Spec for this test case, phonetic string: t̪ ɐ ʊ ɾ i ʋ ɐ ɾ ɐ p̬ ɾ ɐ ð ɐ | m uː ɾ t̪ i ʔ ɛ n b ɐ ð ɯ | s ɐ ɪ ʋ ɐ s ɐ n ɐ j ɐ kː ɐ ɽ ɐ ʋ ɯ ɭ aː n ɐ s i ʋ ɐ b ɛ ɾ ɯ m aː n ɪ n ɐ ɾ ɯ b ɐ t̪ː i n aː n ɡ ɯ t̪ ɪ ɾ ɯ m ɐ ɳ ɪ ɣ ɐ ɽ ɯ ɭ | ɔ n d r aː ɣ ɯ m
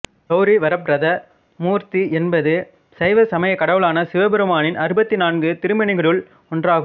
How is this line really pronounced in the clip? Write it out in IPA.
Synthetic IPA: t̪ ɐ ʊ ɾ i ʋ ɐ ɾ ɐ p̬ ɾ ɐ ð ɐ | m uː ɾ t̪ i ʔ ɛ n b ɐ ð ɯ | s ɐ ɪ ʋ ɐ s ɐ m ɐ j ɐ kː ɐ ɽ ɐ ʋ ɯ ɭ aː n ɐ s ɪ ʋ ɐ b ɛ ɾ ɯ m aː n ɪ n ɐ ɾ ɯ b ɐ t̪ː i n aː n ɡ ɯ t̪ ɪ ɾ ɯ m ɐ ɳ ɪ ɣ ɐ ɭ ɯ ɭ | ɔ n d r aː ɣ ɯ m